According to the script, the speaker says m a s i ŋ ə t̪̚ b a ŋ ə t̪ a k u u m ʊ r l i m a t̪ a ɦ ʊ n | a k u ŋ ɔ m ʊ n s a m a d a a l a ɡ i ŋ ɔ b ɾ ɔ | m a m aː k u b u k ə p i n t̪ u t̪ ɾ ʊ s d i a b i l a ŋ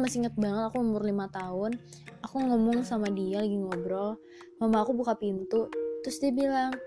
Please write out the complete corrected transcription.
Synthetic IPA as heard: m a s i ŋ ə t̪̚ b a ŋ ə t̪ a k u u m ʊ r l i m a t̪ a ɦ ʊ n | a k u ŋ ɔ m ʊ ŋ s a m a d i a l a ɡ i ŋ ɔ b ɾ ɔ | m a m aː k u b u k a p i n t̪ u t̪ ɾ ʊ s d i a b i l a ŋ